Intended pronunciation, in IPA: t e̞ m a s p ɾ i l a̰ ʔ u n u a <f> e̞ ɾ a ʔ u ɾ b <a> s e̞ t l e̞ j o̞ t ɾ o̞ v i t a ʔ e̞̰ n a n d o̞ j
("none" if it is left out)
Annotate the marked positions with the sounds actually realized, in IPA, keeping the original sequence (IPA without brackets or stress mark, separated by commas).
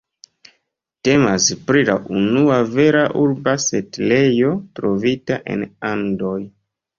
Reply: v, a